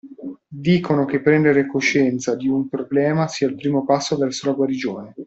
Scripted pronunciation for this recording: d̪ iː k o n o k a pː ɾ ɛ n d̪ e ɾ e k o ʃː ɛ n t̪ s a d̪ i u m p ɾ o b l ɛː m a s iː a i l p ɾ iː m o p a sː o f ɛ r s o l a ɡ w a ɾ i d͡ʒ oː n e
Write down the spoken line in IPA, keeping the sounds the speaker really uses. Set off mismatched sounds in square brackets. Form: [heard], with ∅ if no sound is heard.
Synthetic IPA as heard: d̪ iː k o n o k [e] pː ɾ ɛ n d̪ e ɾ e k o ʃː ɛ n t̪ s a d̪ i u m p ɾ o b l ɛː m a s iː a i l p ɾ iː m o p a sː o [v] ɛ r s o l a ɡ w a ɾ i d͡ʒ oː n e

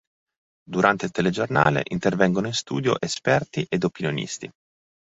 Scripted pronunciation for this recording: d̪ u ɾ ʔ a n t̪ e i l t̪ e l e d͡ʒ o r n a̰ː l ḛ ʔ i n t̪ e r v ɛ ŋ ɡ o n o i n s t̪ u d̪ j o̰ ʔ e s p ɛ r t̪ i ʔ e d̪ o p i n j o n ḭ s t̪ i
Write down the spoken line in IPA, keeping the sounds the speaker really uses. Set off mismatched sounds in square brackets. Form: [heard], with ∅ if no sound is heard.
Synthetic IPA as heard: d̪ u ɾ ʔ a n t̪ e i l t̪ e l e d͡ʒ o r n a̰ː l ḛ ʔ i n t̪ e r v ɛ ŋ ɡ o n o i n s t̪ [uː] d̪ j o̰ ʔ e s p ɛ r t̪ i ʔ e d̪ o p i n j o n ḭ s t̪ i

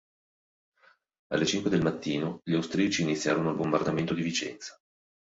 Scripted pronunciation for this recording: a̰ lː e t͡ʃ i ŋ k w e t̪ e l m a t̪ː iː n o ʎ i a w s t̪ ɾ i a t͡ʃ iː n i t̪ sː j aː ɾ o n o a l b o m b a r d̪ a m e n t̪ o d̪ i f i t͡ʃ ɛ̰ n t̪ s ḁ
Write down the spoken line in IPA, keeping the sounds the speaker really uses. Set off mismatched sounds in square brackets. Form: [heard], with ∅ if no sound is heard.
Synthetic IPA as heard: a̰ lː e t͡ʃ i ŋ k w e [d̪] e l m a t̪ː iː n o ʎ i a w s t̪ ɾ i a t͡ʃ iː n i t̪ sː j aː ɾ o n o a l b o m b a r d̪ a m e n t̪ o d̪ i [v] i t͡ʃ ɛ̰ n t̪ s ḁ

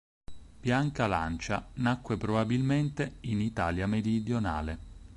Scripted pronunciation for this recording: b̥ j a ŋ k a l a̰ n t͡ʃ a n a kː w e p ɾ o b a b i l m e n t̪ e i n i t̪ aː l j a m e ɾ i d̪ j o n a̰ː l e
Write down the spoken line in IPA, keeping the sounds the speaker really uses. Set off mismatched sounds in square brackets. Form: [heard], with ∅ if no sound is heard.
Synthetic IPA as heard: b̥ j a ŋ k a l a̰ n t͡ʃ a n a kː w e p ɾ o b a b i l m e n t̪ e i n i t̪ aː l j a m e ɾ i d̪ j o n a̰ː l e

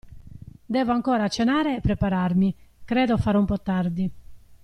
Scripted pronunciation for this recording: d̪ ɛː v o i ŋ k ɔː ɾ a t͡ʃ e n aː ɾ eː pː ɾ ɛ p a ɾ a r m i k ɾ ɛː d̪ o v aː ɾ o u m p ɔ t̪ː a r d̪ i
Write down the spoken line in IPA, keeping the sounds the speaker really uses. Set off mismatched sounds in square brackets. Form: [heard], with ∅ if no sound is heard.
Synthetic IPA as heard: d̪ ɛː v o [a] ŋ k ɔː ɾ a t͡ʃ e n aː ɾ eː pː ɾ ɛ p a ɾ a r m i k ɾ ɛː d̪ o [f] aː ɾ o u m p ɔ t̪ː a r d̪ i

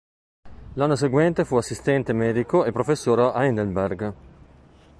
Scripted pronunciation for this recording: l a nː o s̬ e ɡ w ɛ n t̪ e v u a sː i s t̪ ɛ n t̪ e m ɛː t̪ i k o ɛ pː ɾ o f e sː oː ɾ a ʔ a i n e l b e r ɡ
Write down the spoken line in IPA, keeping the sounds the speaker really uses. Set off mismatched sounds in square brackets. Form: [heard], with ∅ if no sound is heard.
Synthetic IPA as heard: l a nː o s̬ e ɡ w ɛ n t̪ e [f] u a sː i s t̪ ɛ n t̪ e m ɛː [d̪] i k o [e] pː ɾ o f e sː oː ɾ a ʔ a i n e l b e r ɡ

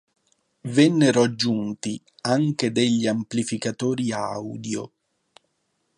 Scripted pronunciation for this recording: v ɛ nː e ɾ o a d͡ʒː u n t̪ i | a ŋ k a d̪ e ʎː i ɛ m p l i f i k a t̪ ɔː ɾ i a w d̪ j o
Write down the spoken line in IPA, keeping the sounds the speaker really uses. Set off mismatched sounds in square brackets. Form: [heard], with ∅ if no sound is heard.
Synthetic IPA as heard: v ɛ nː e ɾ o a d͡ʒː u n t̪ i | a ŋ k [e] d̪ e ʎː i [a] m p l i f i k a t̪ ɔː ɾ i a w d̪ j o

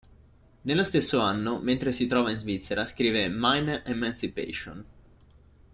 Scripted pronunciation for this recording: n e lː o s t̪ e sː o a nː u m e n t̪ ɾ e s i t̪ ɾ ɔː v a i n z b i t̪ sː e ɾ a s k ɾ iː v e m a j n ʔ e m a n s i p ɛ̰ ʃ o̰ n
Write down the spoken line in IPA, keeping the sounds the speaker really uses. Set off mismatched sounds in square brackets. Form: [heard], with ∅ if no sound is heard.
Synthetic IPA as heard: n e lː o s t̪ e sː o a nː [o] m e n t̪ ɾ e s i t̪ ɾ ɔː v a i n z [v] i t̪ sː e ɾ a s k ɾ iː v e m a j n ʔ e m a n s i p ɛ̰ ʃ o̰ n

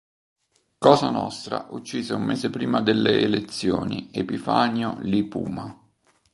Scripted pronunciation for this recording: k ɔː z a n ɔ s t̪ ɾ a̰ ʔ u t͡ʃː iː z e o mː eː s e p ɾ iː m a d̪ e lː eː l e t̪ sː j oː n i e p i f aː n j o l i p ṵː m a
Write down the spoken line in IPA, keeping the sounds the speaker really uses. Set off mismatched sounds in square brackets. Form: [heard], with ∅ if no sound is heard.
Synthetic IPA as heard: k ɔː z a n ɔ s t̪ ɾ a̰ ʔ u t͡ʃː iː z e [u] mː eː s e p ɾ iː m a d̪ e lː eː l e t̪ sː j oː n i e p i f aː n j o l i p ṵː m a

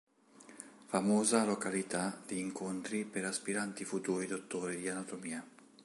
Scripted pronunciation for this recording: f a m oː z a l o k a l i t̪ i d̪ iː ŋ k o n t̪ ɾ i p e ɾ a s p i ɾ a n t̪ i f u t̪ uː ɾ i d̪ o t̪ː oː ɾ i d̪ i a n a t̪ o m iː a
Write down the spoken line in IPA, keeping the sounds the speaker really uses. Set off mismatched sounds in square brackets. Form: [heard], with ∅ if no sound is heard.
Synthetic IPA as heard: f a m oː z a l o k a l i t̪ [a] d̪ iː ŋ k o n t̪ ɾ i p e ɾ a s p i ɾ a n t̪ i f u t̪ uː ɾ i d̪ o t̪ː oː ɾ i d̪ i a n a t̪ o m iː a

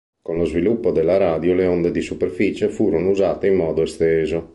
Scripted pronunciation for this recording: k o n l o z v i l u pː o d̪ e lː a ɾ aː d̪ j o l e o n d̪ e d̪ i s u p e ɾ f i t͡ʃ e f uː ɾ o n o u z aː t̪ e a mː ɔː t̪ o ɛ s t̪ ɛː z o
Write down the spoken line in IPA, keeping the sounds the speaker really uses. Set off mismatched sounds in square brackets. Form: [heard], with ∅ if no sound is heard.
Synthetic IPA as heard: k o n l o z v i l u pː o d̪ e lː a ɾ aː d̪ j o l e o n d̪ e d̪ i s u p e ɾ f i t͡ʃ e f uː ɾ o n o u z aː t̪ e [i] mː ɔː [d̪] o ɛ s t̪ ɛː z o

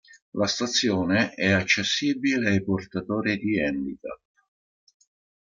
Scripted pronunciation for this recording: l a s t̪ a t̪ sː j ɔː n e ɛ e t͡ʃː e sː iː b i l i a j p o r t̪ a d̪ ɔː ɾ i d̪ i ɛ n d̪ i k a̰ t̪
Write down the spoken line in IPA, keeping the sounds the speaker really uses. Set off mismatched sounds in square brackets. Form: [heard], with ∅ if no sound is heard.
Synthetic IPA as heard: l a s t̪ a t̪ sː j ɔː n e ɛ [a] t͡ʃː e sː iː b i l [e] a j p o r t̪ a [t̪] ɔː ɾ i d̪ i ɛ n d̪ i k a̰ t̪

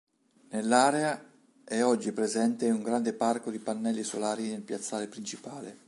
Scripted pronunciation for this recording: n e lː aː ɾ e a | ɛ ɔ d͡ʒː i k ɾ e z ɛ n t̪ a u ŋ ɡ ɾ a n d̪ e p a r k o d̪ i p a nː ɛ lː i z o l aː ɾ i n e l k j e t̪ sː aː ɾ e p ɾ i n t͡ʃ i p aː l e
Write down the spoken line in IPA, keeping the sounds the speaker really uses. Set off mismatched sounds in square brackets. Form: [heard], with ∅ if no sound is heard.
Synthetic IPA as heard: n e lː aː ɾ e a | ɛ ɔ d͡ʒː i [p] ɾ e z ɛ n t̪ [e] u ŋ ɡ ɾ a n d̪ e p a r k o d̪ i p a nː ɛ lː i [s] o l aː ɾ i n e l [p] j [a] t̪ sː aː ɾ e p ɾ i n t͡ʃ i p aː l e

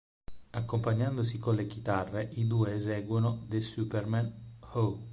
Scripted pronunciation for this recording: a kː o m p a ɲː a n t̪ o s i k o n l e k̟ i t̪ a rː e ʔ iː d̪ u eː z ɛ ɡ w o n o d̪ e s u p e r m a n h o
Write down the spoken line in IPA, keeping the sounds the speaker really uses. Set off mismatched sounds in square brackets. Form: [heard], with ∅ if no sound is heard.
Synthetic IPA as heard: a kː o m p a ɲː a n [d̪] o s i k o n l e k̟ i t̪ a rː e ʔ [i] d̪ u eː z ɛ ɡ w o n o d̪ e s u p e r m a n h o

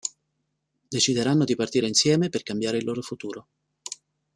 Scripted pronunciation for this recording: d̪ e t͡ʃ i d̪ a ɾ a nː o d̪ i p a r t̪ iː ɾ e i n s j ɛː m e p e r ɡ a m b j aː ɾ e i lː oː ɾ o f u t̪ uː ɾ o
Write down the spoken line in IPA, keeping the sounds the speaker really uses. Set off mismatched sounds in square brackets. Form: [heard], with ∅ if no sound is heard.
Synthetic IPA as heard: d̪ e t͡ʃ i d̪ [e] ɾ a nː o d̪ i p a r t̪ iː ɾ e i n s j ɛː m e p e r [k] a m b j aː ɾ e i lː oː ɾ o f u t̪ uː ɾ o

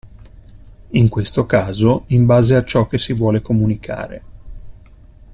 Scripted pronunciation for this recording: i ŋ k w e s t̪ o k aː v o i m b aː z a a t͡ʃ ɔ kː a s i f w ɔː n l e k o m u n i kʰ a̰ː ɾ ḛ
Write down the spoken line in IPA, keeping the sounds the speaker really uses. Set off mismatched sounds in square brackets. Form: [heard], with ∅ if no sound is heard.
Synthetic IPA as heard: i ŋ k w e s t̪ o k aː [z] o i m b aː z [e] a t͡ʃ ɔ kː [e] s i [v] w ɔː [∅] l e k o m u n i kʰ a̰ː ɾ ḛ

